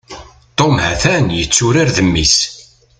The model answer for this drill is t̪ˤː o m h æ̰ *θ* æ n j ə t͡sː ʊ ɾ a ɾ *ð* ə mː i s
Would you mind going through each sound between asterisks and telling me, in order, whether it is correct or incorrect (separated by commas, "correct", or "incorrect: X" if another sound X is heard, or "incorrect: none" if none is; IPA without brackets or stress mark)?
correct, correct